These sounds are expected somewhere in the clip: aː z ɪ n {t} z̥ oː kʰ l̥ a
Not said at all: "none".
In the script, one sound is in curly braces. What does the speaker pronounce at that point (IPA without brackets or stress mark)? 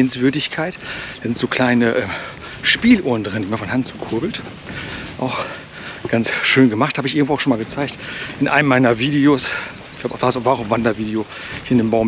t